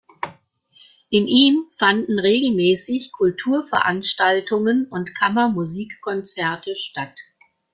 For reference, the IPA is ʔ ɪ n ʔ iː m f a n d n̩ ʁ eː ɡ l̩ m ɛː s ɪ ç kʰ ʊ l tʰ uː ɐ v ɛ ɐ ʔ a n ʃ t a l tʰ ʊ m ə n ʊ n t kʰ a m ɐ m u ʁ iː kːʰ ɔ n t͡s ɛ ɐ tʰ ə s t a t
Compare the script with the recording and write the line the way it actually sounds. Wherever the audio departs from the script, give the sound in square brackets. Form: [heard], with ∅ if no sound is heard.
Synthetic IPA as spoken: ʔ ɪ n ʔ iː m f a n d n̩ ʁ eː ɡ l̩ m ɛː s ɪ ç kʰ ʊ l tʰ uː ɐ [f] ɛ ɐ ʔ a n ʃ t a l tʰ ʊ [ŋ] ə n ʊ n t kʰ a m ɐ m u [z] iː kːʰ ɔ n t͡s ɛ ɐ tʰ ə [ʃ] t a t